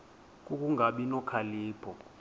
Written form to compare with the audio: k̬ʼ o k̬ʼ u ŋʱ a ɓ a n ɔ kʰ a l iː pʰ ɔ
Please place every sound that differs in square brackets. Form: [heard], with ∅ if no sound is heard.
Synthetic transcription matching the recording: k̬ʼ [u] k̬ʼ u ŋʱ a ɓ [i] n ɔ kʰ a l iː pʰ ɔ